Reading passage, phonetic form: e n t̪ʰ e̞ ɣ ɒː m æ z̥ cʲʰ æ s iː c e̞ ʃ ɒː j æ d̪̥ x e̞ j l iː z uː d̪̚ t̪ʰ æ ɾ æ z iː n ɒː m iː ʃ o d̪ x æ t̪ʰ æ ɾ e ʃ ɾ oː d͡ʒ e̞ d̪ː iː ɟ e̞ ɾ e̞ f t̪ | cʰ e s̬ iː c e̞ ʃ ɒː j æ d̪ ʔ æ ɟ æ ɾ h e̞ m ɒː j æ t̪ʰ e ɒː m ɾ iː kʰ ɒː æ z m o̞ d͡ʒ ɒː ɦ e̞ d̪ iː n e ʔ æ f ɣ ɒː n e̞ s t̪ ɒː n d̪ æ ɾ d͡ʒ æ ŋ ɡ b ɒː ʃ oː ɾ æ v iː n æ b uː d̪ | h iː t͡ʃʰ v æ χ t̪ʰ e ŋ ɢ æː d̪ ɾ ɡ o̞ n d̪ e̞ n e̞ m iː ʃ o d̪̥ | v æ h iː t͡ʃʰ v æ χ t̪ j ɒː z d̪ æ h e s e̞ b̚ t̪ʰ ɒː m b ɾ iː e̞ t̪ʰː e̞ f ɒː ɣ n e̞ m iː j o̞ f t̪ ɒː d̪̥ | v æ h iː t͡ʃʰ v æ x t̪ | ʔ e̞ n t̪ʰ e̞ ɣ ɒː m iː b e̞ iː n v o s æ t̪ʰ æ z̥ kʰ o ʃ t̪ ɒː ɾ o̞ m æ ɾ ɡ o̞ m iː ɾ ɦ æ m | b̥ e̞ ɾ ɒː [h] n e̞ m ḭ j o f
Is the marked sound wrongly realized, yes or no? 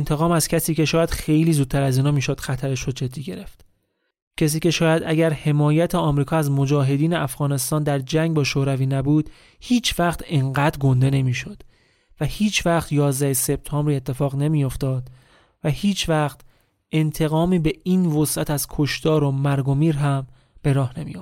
no